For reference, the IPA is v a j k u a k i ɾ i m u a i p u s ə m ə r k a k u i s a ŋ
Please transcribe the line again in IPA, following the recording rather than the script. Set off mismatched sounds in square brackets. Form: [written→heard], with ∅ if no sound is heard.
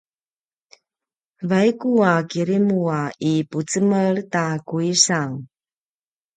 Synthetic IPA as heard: v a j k u a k i ɾ i m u a i p u [s→t͡s] ə m ə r [k→t] a k u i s a ŋ